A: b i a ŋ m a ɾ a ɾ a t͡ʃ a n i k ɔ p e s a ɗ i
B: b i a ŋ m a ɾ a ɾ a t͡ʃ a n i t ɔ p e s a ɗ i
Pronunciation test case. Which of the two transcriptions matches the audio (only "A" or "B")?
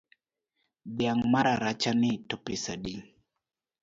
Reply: B